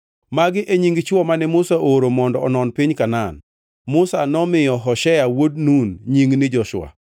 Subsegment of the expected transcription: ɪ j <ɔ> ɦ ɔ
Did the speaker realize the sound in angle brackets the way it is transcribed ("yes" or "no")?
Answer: yes